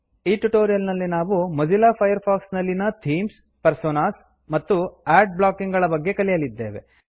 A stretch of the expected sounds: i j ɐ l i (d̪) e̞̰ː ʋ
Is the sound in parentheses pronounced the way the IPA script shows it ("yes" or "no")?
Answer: no